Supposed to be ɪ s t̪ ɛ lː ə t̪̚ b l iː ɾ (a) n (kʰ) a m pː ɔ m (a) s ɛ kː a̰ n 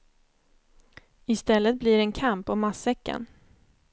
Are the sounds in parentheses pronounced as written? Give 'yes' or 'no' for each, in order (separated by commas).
no, yes, yes